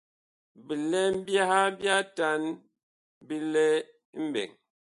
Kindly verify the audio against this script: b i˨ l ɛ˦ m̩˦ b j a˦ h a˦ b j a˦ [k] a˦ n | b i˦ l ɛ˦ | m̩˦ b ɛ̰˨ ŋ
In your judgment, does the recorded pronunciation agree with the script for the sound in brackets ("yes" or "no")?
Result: no